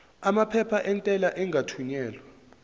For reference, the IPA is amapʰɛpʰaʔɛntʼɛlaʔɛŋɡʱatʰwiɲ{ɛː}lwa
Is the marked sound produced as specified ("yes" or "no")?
yes